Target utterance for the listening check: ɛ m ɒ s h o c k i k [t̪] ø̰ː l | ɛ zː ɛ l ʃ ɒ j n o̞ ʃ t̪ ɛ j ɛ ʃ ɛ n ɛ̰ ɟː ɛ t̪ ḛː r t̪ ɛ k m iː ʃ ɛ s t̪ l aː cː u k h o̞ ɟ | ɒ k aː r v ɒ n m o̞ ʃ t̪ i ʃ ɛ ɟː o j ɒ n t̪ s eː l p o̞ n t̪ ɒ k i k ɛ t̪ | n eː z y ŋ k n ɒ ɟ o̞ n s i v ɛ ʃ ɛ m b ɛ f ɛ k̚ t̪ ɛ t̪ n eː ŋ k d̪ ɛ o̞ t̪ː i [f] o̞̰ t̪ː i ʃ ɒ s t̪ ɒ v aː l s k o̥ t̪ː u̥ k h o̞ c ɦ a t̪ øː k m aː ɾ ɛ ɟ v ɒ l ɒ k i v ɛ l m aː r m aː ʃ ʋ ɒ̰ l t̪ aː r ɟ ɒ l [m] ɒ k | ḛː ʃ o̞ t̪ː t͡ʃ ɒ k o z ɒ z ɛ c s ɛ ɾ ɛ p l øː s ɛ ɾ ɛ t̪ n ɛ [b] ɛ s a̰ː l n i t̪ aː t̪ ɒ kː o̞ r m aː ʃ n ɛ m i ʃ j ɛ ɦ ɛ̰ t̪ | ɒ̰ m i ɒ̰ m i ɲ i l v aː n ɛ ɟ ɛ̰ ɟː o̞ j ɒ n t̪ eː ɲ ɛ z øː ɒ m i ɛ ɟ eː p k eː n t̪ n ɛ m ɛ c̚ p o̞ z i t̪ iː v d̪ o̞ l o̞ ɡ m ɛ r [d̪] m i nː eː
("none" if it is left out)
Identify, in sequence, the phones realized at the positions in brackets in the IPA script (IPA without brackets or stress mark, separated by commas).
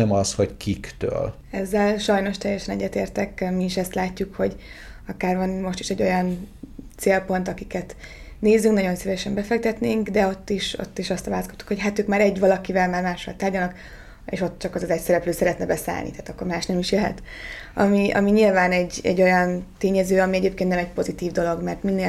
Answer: t̪, ʃ, n, b, t̪